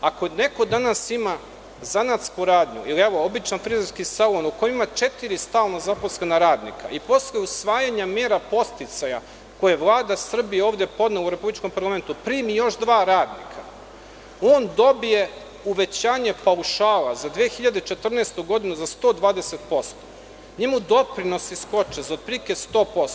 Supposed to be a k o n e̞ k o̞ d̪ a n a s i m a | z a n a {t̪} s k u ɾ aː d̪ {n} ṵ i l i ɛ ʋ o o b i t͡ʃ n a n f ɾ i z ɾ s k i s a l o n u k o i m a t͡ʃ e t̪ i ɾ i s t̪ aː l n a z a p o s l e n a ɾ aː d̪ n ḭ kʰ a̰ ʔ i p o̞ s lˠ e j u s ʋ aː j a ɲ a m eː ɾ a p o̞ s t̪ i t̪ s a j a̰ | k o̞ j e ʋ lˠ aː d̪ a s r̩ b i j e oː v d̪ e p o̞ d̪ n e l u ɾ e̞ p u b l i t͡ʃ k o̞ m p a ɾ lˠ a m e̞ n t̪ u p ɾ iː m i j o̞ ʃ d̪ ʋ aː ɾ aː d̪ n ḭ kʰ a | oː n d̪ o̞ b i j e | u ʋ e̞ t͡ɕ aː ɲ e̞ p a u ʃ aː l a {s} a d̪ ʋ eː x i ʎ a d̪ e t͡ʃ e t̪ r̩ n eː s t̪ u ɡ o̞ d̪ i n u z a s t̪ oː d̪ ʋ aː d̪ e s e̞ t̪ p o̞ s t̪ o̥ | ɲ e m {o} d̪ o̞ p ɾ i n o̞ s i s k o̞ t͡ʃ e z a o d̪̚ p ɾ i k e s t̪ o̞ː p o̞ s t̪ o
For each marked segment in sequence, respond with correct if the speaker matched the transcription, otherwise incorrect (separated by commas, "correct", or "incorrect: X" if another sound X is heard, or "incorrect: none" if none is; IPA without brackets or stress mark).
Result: correct, incorrect: ɲ, incorrect: z, incorrect: u